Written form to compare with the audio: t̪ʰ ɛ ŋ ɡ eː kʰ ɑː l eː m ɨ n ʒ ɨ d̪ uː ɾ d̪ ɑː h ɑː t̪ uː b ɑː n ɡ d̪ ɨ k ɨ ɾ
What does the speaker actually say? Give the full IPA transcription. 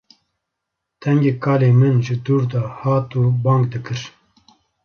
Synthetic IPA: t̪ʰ ɛ ŋ ɡ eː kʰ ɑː l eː m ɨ n ʒ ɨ d̪ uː ɾ d̪ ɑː h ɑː t̪ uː b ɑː ŋ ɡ d̪ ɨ k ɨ ɾ